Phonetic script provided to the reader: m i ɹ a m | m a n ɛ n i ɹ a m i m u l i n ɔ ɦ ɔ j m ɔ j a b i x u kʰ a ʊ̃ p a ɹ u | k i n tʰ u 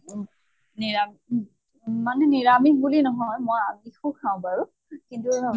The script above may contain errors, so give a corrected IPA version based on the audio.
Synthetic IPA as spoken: n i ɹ a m | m a n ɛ n i ɹ a m i b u l i n ɔ ɦ ɔ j m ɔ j a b i x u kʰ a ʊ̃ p a ɹ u | k i n t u